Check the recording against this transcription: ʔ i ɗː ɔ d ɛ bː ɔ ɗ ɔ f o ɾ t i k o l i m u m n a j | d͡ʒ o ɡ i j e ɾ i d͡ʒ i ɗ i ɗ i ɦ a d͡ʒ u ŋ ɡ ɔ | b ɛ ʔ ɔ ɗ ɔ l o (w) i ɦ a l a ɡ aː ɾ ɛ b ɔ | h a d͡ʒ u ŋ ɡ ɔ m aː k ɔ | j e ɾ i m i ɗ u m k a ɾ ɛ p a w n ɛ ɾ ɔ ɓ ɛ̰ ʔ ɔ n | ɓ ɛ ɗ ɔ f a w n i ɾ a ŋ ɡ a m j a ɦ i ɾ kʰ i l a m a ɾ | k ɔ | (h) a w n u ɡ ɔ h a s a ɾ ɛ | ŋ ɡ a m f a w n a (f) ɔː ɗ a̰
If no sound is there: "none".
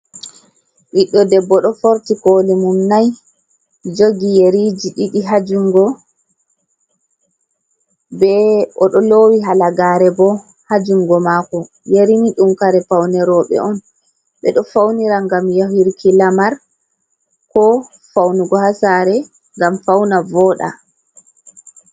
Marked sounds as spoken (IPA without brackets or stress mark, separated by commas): w, f, v